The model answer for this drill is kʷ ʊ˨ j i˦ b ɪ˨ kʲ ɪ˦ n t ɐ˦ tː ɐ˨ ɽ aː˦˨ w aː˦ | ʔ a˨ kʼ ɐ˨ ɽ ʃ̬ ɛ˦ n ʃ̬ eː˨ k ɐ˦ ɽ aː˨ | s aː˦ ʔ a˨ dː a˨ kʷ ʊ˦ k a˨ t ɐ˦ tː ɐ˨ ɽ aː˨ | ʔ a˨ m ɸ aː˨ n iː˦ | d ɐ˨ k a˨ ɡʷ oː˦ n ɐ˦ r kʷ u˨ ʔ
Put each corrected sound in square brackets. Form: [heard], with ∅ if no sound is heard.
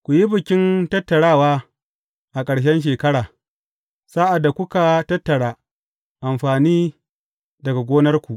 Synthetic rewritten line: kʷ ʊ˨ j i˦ b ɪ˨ kʲ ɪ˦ n t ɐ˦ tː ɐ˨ ɽ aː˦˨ w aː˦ | ʔ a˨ kʼ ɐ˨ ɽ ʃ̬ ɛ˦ n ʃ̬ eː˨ k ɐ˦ ɽ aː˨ | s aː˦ ʔ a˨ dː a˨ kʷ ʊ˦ k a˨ t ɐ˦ tː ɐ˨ ɽ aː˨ | ʔ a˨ m ɸ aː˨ n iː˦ | d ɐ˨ [ɡ] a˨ ɡʷ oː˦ n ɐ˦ r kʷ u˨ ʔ